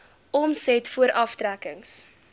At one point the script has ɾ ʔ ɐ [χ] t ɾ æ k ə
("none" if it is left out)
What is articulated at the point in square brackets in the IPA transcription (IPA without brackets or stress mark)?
f